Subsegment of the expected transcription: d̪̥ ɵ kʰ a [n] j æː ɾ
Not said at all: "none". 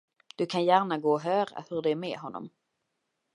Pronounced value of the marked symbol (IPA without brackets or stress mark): n